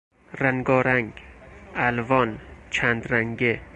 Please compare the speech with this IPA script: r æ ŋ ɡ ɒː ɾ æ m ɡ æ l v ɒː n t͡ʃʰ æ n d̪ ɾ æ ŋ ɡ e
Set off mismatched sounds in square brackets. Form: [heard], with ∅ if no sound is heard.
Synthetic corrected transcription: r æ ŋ ɡ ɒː ɾ æ [ŋ] ɡ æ l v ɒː n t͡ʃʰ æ n d̪ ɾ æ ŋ ɡ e

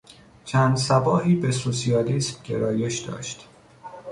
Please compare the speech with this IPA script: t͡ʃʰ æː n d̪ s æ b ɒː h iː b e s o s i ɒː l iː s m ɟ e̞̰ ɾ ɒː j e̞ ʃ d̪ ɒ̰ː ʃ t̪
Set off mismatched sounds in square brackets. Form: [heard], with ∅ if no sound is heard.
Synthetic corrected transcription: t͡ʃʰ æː n d̪ s æ b ɒː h iː b e s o s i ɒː l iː s m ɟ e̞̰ ɾ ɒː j e̞ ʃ d̪ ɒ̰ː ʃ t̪

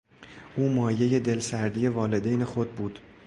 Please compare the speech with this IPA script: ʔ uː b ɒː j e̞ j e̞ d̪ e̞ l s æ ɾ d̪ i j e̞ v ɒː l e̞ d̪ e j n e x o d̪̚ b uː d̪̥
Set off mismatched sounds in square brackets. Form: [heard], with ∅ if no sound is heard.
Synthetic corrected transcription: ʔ uː [m] ɒː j e̞ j e̞ d̪ e̞ l s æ ɾ d̪ i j e̞ v ɒː l e̞ d̪ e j n e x o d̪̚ b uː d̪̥

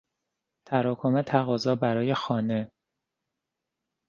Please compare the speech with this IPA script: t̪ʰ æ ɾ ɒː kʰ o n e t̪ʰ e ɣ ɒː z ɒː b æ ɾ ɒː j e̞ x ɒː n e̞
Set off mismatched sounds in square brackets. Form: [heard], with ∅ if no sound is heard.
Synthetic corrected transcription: t̪ʰ æ ɾ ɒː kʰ o [m] e t̪ʰ [æ] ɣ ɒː z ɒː b æ ɾ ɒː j e̞ x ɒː n e̞

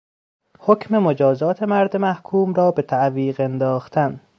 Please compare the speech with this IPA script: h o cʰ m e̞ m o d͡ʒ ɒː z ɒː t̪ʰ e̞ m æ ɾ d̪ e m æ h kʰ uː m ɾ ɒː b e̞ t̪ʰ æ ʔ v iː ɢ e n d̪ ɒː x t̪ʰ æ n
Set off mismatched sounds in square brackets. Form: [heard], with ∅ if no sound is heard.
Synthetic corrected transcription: h o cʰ m e̞ m o d͡ʒ ɒː z ɒː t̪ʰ e̞ m æ ɾ d̪ e m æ h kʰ uː m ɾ ɒː b e̞ t̪ʰ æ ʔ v iː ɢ e n d̪ ɒː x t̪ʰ æ n

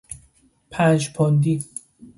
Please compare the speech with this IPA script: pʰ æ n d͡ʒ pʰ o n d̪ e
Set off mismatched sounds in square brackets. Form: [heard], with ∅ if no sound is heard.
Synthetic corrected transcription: pʰ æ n d͡ʒ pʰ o n d̪ [i]

